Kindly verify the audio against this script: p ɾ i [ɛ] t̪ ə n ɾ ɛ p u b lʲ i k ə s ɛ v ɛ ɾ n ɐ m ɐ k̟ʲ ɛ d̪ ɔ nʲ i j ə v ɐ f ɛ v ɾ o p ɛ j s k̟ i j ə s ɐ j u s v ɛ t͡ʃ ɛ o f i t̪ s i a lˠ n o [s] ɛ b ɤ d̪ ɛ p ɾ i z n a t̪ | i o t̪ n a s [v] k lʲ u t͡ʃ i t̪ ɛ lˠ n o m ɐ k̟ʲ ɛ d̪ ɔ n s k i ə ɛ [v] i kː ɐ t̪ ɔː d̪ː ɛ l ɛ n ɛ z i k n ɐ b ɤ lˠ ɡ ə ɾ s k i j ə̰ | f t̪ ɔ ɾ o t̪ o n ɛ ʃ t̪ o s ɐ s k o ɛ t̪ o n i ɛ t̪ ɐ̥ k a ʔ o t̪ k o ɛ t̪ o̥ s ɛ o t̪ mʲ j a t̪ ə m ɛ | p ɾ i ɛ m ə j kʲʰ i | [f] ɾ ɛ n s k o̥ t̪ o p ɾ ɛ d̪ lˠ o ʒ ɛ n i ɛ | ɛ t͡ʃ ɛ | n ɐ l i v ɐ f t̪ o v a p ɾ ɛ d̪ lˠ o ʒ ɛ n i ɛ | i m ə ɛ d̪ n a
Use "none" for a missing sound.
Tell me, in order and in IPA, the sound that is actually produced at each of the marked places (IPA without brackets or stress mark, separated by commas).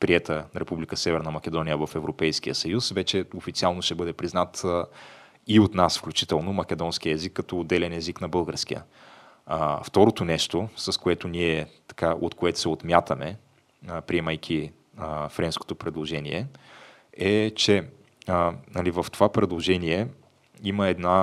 ɛ, ʃ, f, z, f